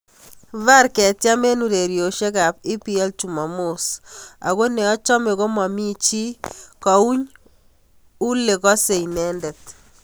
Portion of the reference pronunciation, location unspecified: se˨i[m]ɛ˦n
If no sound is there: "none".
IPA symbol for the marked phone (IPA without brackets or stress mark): n